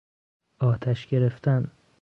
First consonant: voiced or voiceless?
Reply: voiceless